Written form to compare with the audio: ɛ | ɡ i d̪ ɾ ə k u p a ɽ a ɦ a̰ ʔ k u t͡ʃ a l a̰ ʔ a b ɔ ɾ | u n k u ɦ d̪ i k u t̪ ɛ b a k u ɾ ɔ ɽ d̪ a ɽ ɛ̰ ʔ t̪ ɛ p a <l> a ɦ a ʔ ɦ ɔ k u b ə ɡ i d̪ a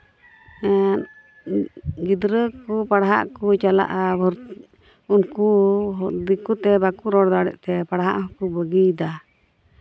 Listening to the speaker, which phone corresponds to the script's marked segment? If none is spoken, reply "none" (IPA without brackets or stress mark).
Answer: ɽ